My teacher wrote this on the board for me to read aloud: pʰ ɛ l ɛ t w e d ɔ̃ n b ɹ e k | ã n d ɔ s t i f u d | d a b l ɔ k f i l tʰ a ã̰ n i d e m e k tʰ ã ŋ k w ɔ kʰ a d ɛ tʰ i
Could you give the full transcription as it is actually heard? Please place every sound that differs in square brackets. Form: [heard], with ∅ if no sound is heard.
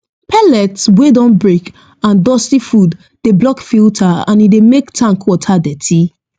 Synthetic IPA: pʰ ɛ l ɛ t w e d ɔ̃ n b ɹ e k | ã n d ɔ s t i f u d | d [e] b l ɔ k f i l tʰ a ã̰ n i d e m e k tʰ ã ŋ k w ɔ [tʰ] a d ɛ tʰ i